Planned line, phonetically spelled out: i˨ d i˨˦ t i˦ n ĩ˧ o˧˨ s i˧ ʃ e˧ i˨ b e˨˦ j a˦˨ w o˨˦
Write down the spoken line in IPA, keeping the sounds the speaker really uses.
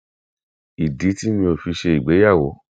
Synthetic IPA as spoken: i˨ d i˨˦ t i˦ m ĩ˧ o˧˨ f i˧ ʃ e˧ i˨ ɡ͡b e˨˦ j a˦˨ w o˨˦